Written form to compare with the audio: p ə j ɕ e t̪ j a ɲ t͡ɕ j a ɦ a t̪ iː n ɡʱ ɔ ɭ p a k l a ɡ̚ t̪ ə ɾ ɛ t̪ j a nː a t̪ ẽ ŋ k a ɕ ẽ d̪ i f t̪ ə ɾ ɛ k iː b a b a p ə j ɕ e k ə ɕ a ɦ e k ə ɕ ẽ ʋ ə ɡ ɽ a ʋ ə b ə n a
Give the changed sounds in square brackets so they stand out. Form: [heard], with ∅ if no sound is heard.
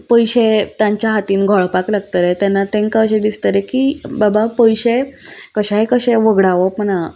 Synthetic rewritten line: p ə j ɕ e t̪ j a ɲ t͡ɕ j a ɦ a t̪ iː n ɡʱ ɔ ɭ p a k l a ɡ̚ t̪ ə ɾ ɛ t̪ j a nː a t̪ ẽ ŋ k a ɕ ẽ d̪ i [s] t̪ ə ɾ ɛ k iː b a b a p ə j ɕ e k ə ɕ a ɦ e k ə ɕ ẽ ʋ ə ɡ ɽ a ʋ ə [p] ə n a